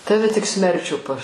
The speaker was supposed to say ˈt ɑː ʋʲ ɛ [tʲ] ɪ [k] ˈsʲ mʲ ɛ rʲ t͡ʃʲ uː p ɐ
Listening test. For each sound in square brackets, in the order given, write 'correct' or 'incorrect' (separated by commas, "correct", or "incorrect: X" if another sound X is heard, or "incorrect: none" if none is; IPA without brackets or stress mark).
correct, correct